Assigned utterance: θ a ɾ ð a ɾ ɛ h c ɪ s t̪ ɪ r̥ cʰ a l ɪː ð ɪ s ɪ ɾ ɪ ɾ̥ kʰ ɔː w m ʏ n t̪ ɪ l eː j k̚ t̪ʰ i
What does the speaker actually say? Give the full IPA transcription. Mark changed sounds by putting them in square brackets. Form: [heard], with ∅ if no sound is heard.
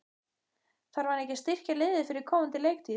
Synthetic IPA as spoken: θ a ɾ [v] a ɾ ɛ h c ɪ s t̪ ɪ r̥ [c] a l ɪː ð ɪ [f] ɪ ɾ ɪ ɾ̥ kʰ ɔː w m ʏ n t̪ ɪ l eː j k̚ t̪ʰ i